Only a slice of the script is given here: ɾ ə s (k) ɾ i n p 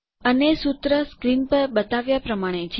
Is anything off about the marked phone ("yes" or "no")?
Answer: no